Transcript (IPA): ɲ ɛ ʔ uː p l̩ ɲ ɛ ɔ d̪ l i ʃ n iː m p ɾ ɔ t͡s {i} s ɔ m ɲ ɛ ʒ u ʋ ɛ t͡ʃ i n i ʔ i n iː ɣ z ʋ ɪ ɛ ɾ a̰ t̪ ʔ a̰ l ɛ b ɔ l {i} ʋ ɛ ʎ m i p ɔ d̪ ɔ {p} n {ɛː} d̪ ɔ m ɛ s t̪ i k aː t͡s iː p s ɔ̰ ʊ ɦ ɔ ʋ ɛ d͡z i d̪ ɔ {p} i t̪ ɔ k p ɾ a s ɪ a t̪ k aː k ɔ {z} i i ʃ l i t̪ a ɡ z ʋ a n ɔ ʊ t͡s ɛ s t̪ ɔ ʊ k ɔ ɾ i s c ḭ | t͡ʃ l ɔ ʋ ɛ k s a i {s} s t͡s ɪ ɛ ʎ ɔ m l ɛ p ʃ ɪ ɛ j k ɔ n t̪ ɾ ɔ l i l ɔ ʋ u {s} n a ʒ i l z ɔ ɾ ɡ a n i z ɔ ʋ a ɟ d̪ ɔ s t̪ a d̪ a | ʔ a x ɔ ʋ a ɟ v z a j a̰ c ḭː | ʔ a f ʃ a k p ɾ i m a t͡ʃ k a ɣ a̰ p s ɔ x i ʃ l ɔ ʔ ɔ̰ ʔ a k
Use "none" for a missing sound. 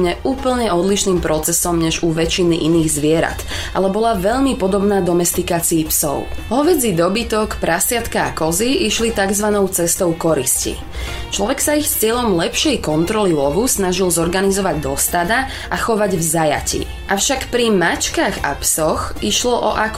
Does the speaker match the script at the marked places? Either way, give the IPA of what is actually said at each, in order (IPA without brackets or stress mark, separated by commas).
ɛ, a, b, aː, b, z, x, s